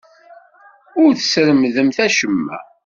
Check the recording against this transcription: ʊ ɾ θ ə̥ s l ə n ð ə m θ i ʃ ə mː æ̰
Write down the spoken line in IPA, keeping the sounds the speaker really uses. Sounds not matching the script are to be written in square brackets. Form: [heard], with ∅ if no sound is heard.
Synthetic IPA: ʊ ɾ θ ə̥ s [ɾ] ə [m] ð ə m θ [æ] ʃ ə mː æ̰